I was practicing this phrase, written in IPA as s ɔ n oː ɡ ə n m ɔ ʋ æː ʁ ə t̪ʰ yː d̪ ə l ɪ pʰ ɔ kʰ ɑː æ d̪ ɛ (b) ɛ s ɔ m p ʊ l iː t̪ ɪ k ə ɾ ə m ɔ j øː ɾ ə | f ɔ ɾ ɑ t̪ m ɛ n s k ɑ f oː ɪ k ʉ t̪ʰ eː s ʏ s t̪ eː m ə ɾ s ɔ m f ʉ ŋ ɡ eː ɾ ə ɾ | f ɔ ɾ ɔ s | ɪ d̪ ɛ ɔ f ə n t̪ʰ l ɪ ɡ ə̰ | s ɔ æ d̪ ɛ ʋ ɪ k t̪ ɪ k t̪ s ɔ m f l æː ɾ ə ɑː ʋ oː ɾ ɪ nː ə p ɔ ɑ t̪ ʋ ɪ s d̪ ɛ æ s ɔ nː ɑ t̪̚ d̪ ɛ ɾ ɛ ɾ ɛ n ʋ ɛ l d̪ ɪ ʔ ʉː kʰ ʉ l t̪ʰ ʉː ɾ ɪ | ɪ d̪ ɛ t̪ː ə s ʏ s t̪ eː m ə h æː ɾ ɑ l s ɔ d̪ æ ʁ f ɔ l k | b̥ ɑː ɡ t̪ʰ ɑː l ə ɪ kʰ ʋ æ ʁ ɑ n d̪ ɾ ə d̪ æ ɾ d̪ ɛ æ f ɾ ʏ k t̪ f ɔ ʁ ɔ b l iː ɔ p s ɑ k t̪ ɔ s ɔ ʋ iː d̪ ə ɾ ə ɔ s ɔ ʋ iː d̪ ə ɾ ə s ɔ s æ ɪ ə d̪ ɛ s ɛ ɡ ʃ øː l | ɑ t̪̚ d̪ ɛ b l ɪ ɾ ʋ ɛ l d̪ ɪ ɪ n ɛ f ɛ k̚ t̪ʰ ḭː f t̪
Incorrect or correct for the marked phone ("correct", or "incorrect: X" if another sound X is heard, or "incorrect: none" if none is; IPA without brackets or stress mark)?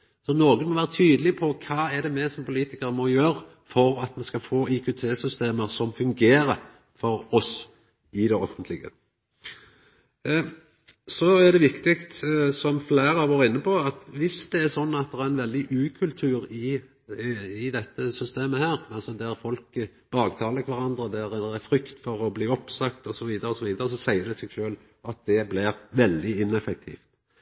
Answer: incorrect: m